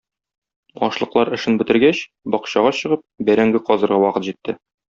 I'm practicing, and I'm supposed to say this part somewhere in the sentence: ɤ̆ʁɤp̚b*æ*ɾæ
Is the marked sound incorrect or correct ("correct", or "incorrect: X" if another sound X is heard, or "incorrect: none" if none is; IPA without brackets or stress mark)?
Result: correct